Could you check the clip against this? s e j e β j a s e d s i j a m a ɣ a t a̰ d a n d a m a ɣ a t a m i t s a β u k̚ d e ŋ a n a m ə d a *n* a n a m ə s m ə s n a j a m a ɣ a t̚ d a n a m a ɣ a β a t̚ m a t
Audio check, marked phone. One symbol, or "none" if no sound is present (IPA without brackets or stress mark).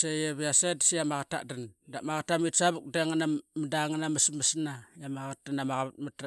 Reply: ŋ